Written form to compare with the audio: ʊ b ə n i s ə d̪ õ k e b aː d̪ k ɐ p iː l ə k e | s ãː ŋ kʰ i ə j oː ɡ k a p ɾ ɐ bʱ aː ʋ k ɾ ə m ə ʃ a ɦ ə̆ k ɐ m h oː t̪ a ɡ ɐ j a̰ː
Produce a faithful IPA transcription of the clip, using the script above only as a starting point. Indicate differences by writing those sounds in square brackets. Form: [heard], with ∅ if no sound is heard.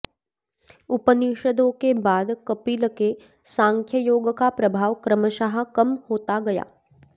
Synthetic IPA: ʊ [p] ə n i [ʃ] ə d̪ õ k e b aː d̪ k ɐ p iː l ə k e | s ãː ŋ kʰ [j] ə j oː ɡ k a p ɾ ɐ bʱ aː ʋ k ɾ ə m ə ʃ a ɦ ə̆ k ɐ m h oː t̪ a ɡ ɐ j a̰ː